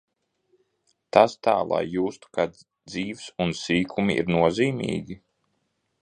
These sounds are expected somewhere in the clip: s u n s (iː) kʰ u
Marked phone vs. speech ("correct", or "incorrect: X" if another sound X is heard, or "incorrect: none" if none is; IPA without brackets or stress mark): correct